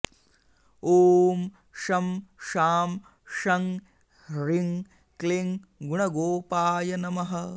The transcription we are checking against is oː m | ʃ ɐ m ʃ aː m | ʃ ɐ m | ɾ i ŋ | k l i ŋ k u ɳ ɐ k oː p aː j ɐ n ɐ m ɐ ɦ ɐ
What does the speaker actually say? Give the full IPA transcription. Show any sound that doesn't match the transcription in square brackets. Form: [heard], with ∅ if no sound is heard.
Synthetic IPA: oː m | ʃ ɐ m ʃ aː m | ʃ ɐ [ŋ] | ɾ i ŋ | k l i ŋ [ɡ] u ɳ ɐ [ɡ] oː p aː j ɐ n ɐ m ɐ ɦ ɐ